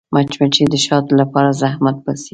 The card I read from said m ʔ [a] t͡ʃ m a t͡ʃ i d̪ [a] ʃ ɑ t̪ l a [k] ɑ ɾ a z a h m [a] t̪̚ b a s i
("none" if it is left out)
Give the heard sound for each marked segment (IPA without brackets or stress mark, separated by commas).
a, ə, p, a